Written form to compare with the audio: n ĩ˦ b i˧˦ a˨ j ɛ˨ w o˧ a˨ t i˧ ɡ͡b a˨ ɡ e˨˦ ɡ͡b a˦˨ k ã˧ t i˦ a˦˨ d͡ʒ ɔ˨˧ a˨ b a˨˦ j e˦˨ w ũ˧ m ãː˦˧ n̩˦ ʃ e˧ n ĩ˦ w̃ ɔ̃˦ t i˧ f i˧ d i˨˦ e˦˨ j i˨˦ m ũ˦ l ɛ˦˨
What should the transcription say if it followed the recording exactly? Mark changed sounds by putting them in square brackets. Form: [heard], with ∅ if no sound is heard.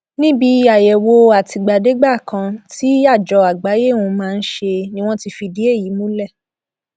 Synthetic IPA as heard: n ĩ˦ b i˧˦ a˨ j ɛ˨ w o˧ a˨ t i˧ ɡ͡b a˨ [d] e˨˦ ɡ͡b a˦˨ k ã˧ t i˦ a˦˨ d͡ʒ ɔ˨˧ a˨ [ɡ͡b] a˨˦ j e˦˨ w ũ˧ m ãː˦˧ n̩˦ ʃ e˧ n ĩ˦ w̃ ɔ̃˦ t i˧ f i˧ d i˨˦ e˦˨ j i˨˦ m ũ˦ l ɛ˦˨